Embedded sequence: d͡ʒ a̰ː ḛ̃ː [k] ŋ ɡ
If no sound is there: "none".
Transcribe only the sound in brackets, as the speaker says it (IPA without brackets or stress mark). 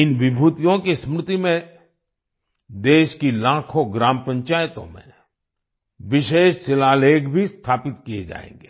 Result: none